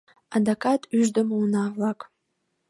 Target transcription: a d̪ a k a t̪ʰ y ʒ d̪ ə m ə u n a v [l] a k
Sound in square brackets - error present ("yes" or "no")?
no